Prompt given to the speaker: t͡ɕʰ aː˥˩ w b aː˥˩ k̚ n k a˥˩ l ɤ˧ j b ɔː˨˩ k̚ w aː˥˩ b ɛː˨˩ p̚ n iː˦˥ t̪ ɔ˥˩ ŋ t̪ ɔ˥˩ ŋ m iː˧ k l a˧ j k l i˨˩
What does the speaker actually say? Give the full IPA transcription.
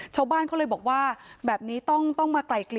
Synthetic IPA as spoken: t͡ɕʰ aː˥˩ w b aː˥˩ n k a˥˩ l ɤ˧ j b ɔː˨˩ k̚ w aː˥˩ b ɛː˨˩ p̚ n iː˦˥ t̪ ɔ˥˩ ŋ t̪ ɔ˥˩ ŋ m aː˧ k l a˨˩ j k l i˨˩

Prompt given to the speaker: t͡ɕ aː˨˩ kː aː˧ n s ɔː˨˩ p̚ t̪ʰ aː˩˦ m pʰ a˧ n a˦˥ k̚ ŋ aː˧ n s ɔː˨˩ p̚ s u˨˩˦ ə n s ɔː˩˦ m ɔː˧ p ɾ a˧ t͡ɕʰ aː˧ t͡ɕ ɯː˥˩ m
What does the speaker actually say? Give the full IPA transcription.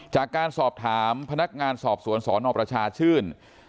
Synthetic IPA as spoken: t͡ɕ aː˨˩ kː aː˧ n s ɔː˨˩ p̚ t̪ʰ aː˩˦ m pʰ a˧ n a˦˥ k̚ ŋ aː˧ n s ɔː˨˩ p̚ s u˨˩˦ ə n s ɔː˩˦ n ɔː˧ p ɾ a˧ t͡ɕʰ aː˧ t͡ɕʰ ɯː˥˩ n

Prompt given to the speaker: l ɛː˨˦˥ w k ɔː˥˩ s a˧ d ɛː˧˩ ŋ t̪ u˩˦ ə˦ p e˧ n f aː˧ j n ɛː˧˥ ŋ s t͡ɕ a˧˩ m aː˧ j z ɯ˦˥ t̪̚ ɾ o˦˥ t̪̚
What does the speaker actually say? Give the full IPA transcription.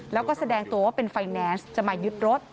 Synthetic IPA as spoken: l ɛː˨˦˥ w k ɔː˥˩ s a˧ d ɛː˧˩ ŋ t̪ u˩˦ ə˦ p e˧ n f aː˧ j n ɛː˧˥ n s t͡ɕ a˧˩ m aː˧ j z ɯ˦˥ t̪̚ ɾ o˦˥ t̪̚

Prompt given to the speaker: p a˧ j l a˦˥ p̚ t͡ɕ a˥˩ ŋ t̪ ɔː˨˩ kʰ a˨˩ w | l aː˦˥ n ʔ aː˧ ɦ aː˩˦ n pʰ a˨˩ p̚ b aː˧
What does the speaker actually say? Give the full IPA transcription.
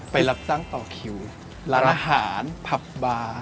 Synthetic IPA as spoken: p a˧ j l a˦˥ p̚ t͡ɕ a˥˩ ŋ t̪ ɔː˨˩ kʰ i˨˩ w | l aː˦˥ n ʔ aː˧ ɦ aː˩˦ n pʰ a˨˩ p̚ b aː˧

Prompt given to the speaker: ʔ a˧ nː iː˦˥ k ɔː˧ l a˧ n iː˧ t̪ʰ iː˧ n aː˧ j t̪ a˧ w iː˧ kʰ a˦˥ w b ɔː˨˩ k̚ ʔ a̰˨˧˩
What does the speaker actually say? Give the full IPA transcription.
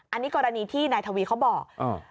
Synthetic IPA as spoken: ʔ a˧ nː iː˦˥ k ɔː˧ ɾ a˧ n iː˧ t̪ʰ iː˥˩ n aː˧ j t̪ʰ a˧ w iː˧ kʰ a˦˥ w b ɔː˨˩ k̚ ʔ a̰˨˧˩

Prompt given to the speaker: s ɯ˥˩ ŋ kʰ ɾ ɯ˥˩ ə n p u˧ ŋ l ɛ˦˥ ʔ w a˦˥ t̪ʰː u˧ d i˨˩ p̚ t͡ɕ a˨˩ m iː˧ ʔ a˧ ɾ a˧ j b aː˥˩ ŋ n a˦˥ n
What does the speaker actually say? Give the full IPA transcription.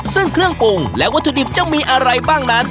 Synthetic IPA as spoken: s ɯ˥˩ ŋ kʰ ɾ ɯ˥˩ ə ŋ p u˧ ŋ l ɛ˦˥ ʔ w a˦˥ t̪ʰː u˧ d i˨˩ p̚ t͡ɕ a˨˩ m iː˧ ʔ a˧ ɾ a˧ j b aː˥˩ ŋ n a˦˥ n

